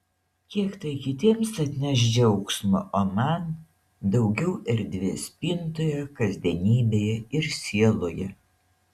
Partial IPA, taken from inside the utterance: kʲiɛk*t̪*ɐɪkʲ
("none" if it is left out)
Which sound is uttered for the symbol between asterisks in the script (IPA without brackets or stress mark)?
t̪